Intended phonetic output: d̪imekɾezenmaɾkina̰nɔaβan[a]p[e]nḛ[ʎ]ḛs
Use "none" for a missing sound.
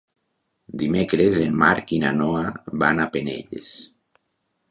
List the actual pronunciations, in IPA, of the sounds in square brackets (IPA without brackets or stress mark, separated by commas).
a, e, ʎ